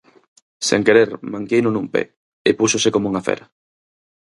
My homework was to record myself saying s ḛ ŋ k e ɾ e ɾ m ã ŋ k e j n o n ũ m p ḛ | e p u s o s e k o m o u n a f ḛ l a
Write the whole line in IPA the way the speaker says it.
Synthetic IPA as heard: s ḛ ŋ k e ɾ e ɾ m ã ŋ k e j n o n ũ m p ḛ | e p u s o s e k o m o u ŋ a f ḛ ɾ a